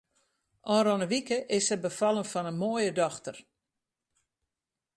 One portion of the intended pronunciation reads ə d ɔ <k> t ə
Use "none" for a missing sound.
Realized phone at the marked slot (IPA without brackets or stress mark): x